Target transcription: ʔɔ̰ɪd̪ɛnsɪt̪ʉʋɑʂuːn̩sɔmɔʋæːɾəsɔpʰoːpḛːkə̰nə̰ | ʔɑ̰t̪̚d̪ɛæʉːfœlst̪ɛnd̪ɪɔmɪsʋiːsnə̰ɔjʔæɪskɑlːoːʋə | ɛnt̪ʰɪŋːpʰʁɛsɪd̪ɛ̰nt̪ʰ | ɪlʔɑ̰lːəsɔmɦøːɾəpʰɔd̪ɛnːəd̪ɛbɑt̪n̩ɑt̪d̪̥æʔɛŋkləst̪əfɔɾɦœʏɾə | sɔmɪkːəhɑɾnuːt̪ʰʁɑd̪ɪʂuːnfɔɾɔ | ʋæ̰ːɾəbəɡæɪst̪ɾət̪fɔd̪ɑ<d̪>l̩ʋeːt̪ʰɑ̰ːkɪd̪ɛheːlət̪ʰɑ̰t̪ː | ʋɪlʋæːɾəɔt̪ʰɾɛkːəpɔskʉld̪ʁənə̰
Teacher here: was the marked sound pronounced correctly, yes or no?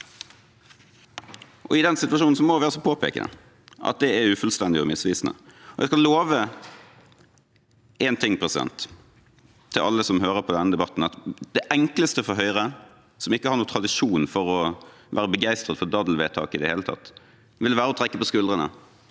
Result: yes